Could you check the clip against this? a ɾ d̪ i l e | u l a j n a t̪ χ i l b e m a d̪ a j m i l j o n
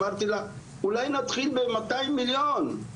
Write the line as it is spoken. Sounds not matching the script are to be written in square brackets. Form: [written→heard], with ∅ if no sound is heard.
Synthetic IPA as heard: a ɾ [d̪→t̪] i l [e→a] | u l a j n a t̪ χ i l b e m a [d̪→t̪] a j m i l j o n

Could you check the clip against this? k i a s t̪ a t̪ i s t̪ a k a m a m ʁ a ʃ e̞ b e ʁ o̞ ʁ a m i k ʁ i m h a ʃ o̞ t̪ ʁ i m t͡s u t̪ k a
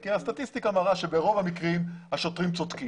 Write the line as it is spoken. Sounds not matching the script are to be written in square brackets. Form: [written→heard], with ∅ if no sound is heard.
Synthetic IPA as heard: k i a s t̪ a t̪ i s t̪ [a→i] k a m a [m→∅] ʁ a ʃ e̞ b e ʁ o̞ [ʁ→v] a m i k ʁ i m h a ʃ o̞ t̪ ʁ i m t͡s [u→o] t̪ k [a→i]

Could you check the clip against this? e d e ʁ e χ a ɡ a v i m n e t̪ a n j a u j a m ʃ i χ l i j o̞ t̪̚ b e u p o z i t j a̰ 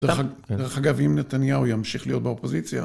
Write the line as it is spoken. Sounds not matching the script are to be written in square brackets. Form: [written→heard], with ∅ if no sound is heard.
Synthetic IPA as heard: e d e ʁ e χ a ɡ a v i m n e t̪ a n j a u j a m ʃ i χ l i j o̞ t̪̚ b e [u→o] p o z i [t→t͡s] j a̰

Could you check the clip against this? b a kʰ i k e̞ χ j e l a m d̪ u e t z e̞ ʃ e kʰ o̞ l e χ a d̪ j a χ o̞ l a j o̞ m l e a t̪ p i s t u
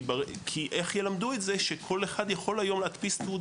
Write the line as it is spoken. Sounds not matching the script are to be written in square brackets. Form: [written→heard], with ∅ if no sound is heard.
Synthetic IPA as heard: b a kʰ i [k→ʔ] e̞ χ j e l a m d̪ u e t z e̞ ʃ e kʰ o̞ l e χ a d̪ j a χ o̞ l a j o̞ m l e a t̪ p i s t u

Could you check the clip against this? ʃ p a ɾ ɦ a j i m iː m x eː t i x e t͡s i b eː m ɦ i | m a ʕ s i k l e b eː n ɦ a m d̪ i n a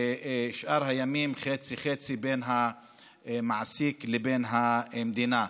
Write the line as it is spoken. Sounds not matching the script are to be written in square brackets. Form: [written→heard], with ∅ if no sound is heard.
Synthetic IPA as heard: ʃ [p→ʔ] a ɾ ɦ a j [i→a] m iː m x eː [t→t͡s] i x e t͡s i b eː [m→n] ɦ [i→a] | m a ʕ s i k l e b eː n ɦ a m d̪ i n a

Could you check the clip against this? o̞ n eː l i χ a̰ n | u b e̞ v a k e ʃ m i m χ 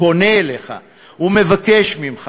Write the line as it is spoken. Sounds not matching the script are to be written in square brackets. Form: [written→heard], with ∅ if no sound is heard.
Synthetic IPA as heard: o̞ n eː l [i→e] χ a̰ [n→∅] | u [b→m] e̞ v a k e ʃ m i m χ

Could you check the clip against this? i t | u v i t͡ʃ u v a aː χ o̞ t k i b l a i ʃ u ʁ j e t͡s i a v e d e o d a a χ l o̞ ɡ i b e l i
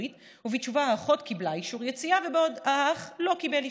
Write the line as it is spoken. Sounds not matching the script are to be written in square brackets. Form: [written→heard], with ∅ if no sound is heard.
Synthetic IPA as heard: i t | u v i t͡ʃ u v a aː χ o̞ t k i b l a i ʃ u ʁ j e t͡s i a v e [d→b] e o d a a χ l o̞ [ɡ→k] i b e l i

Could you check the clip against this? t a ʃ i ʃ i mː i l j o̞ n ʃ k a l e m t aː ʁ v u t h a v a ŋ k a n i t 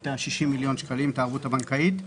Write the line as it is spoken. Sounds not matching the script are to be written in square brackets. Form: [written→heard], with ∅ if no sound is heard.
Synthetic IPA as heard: t a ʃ i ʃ i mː i l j o̞ n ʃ k a l [e→i] m t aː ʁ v u t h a [v→b] a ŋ k a [n→∅] i t

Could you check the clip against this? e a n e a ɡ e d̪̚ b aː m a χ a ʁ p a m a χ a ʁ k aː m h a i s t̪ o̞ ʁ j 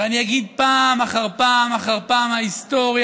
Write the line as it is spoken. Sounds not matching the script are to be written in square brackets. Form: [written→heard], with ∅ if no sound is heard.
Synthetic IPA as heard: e a n [e→i] a ɡ [e→i] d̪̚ [b→p] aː m a χ a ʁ p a m a χ a ʁ [k→p] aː m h a i s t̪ o̞ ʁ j

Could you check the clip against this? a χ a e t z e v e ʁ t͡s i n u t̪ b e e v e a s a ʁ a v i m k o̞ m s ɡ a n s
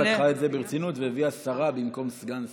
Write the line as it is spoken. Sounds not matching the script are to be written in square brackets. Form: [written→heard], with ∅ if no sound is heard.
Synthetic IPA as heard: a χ a e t z e [v→b] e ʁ t͡s i n u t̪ [b→v] e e v [e→i] a s a ʁ a [v→b] i m k o̞ m s ɡ a n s

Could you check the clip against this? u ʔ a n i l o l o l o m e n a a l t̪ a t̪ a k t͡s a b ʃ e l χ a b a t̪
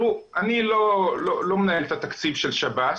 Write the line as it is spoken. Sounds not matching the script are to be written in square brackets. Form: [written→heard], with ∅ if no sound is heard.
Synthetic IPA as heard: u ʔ a n i l o l o l o m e n a [a→e] l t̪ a t̪ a k t͡s [a→i] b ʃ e l [χ→ʃ] a b a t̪

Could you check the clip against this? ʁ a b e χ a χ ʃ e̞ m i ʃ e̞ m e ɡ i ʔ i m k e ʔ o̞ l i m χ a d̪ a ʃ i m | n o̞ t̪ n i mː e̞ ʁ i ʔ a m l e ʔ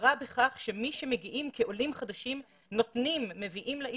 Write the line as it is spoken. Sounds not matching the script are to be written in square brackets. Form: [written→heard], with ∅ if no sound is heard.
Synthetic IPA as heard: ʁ a b e χ a χ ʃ e̞ m i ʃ e̞ m e ɡ i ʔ i m k e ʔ o̞ l i m χ a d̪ a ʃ i m | n o̞ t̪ n i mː e̞ [ʁ→v] i ʔ [a→i] m l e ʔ

